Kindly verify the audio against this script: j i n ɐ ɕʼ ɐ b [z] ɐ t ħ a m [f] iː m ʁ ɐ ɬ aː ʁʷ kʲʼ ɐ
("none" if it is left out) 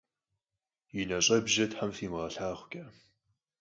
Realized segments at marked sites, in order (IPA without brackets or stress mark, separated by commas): ʒ, f